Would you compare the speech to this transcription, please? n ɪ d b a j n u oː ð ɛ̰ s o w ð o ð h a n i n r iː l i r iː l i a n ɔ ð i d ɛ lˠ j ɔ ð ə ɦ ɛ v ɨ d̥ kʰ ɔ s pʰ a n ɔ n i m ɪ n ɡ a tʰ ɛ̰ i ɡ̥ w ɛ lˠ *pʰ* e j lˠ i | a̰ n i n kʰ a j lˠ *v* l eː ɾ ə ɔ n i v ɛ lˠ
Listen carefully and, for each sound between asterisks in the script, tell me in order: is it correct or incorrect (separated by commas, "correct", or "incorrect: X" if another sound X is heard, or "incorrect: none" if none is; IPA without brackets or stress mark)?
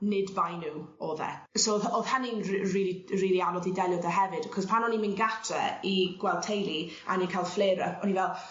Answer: incorrect: tʰ, incorrect: f